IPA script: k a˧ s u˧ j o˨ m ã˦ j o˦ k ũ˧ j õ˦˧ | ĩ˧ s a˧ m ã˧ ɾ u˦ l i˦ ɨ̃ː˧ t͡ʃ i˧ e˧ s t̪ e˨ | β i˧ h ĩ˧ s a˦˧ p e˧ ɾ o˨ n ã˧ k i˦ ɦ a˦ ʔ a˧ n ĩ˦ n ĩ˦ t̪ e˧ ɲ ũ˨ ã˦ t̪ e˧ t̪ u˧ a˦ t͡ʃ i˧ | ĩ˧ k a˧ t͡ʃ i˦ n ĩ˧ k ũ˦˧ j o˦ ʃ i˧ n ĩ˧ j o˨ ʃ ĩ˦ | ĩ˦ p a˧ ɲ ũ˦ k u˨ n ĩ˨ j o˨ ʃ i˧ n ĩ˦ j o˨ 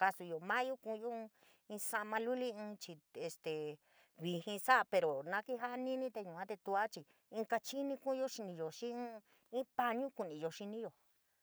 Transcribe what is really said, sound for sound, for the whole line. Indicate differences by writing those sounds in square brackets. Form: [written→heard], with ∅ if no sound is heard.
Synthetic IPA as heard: k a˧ s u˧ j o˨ m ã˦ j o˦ k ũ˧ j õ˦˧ | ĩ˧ s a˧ m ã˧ [ɾ→l] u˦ l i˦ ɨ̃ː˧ t͡ʃ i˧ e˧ s t̪ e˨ | β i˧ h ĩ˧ s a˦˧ p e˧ ɾ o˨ n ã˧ k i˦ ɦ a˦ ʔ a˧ n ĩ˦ n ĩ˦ t̪ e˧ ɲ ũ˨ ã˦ t̪ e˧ t̪ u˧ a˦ t͡ʃ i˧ | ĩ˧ k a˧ t͡ʃ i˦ n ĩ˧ k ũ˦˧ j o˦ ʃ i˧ n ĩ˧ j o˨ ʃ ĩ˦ | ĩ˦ p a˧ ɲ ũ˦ k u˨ n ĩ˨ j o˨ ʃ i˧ n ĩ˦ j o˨